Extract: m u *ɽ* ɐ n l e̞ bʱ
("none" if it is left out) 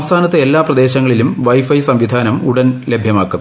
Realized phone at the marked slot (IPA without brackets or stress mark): ɽ